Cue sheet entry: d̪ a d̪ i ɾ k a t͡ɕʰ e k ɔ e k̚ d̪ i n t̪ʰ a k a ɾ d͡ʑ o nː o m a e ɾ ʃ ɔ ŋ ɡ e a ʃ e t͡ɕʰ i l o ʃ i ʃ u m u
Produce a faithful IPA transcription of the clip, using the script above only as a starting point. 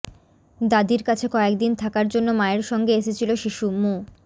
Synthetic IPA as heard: d̪ a d̪ i ɾ k a t͡ɕʰ e k ɔ e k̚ d̪ i n t̪ʰ a k a ɾ d͡ʑ o nː o m a e ɾ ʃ ɔ ŋ ɡ e e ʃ e t͡ɕʰ i l o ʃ i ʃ u m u